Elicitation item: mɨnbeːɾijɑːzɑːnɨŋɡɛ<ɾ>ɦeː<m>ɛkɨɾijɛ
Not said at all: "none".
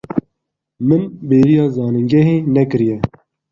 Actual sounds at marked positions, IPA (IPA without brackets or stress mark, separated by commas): none, n